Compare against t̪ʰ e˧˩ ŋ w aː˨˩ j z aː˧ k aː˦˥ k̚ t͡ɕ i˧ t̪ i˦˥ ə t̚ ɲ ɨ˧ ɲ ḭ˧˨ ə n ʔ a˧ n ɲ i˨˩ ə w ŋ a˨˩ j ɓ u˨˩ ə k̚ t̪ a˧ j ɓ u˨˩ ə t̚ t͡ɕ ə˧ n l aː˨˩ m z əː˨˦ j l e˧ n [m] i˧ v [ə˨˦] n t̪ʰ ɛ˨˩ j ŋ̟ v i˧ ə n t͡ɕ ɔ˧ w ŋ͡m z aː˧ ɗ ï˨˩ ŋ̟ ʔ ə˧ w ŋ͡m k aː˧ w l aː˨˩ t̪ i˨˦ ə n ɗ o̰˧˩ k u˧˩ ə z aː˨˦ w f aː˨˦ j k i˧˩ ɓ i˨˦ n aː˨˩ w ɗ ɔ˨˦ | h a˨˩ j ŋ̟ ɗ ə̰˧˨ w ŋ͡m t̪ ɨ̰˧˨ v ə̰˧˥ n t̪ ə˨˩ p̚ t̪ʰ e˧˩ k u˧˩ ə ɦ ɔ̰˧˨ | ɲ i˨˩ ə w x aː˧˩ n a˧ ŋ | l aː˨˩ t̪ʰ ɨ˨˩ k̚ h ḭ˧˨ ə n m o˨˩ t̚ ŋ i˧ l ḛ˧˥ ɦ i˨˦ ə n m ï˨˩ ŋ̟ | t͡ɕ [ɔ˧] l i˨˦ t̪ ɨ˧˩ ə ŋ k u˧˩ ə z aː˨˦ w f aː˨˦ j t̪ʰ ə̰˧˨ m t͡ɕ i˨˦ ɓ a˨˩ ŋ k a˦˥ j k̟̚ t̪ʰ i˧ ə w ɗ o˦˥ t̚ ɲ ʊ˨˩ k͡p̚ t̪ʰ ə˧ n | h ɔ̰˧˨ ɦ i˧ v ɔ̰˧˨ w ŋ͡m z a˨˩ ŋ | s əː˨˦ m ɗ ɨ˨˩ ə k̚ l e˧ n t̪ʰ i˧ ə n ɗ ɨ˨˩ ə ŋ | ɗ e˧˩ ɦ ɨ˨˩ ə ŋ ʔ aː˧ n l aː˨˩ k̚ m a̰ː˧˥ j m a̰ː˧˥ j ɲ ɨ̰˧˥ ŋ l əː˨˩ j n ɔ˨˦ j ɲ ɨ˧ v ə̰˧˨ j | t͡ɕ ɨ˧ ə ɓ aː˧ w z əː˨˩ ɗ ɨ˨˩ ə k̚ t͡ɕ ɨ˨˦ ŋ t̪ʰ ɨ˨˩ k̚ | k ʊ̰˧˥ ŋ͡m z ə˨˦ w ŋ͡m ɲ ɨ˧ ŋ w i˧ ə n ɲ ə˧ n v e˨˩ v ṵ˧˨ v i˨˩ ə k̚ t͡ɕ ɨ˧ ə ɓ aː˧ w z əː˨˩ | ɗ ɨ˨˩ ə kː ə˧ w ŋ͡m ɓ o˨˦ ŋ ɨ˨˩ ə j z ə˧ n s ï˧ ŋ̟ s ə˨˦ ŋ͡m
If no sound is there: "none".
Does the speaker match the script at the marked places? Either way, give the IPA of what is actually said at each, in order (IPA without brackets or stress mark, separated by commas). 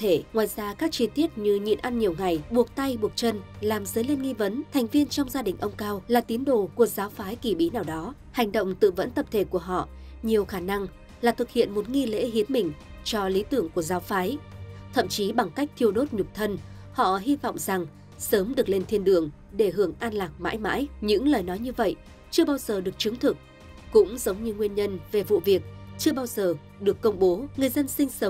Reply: ŋ, ə˨˦, ɔ˧